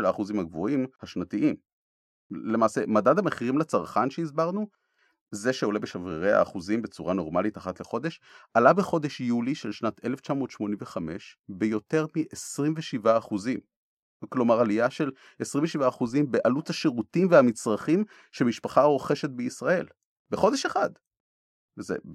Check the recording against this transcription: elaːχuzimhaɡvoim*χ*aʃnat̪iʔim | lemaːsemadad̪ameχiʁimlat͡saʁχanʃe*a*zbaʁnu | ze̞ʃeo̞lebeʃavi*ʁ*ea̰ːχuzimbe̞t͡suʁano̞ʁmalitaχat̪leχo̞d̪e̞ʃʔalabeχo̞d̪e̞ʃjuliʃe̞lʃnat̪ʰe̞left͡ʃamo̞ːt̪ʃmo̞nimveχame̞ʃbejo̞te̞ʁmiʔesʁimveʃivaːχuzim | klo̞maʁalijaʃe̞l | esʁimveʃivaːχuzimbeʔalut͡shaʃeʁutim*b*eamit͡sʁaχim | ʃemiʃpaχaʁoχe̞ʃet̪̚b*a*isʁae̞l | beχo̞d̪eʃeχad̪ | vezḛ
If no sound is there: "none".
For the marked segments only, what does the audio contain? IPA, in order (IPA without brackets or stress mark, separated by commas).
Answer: h, i, ʁ, v, e